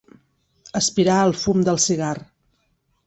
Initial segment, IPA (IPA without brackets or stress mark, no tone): ə